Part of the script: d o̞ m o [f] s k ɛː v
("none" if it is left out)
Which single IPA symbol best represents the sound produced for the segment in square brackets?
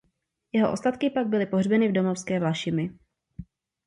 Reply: f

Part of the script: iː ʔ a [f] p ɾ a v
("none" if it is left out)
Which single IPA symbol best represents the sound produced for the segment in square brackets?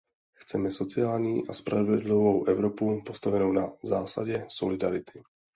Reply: s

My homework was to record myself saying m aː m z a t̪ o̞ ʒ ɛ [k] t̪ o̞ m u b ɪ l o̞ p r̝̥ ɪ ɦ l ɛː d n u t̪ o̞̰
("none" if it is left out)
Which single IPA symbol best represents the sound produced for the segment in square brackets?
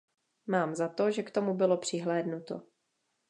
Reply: k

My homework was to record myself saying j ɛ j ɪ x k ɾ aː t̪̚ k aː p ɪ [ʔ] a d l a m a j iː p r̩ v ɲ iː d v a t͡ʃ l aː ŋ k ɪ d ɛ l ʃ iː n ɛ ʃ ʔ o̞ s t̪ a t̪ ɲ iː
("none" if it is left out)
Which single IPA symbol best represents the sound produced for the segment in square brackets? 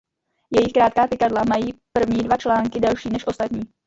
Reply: k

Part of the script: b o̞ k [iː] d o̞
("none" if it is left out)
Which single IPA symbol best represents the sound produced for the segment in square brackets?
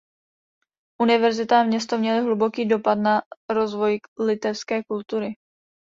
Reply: iː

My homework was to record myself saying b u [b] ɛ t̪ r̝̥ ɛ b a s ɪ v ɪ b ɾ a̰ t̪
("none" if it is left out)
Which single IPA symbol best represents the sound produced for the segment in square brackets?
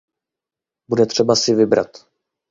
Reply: d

